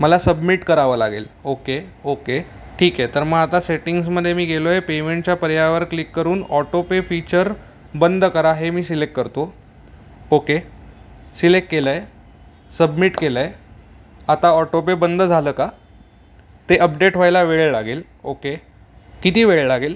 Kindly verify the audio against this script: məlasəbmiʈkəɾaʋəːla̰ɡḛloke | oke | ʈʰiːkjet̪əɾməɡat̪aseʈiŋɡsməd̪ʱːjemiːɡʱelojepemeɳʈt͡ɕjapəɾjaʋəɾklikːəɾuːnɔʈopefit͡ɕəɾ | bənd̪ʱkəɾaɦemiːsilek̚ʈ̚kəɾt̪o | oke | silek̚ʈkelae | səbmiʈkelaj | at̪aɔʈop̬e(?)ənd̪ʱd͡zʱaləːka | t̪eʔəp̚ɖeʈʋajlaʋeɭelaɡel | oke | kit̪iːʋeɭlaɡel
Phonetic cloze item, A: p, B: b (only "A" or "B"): B